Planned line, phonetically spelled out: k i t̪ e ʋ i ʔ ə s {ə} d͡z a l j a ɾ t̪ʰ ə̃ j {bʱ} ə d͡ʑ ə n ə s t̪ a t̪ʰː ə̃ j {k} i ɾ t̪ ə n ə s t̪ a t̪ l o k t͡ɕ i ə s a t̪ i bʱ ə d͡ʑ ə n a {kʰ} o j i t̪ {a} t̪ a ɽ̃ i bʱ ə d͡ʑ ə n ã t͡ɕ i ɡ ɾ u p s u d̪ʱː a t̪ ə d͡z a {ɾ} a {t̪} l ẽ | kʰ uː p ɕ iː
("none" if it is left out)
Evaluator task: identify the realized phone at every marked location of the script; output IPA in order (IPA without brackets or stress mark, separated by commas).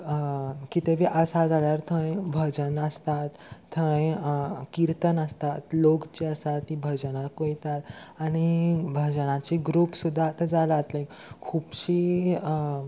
a, bʱ, k, k, a, l, t̪